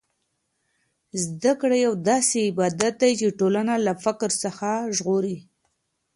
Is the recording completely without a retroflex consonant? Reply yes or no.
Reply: no